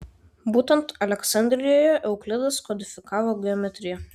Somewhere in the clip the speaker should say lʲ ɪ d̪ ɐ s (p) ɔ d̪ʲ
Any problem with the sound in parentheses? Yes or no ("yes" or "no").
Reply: yes